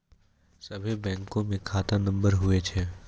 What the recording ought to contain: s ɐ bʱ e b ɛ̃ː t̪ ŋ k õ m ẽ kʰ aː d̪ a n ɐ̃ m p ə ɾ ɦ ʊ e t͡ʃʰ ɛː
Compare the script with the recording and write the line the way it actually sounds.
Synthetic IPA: s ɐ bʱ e b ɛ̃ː ŋ k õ m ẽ kʰ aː t̪ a n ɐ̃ m b ə ɾ ɦ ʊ e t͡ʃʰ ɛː